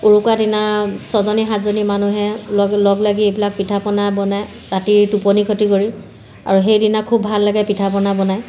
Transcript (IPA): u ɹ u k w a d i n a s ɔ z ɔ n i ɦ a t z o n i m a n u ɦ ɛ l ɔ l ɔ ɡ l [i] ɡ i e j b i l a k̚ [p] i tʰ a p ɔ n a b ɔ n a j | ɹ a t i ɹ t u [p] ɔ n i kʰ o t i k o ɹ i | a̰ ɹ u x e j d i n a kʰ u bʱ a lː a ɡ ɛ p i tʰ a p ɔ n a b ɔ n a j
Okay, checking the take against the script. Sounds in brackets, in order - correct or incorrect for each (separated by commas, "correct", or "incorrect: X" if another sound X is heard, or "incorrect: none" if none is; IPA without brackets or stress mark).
incorrect: a, correct, correct